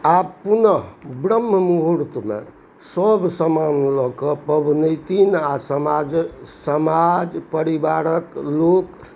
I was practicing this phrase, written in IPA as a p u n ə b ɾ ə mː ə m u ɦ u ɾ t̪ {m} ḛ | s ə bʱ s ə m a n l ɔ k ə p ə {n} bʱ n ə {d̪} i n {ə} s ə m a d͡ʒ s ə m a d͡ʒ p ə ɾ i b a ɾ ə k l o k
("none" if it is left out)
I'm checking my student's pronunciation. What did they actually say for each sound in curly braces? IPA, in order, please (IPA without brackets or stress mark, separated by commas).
m, none, t̪, a